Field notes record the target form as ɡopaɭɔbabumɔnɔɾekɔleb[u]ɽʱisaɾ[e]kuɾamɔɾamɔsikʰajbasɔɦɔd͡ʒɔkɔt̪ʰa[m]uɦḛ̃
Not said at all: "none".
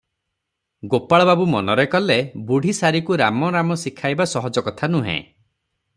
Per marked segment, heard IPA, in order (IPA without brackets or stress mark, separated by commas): u, i, n